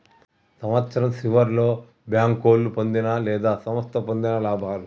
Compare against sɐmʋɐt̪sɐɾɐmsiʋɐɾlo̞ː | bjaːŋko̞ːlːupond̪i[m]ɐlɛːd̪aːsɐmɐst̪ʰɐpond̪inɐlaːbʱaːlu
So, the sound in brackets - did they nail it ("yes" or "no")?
no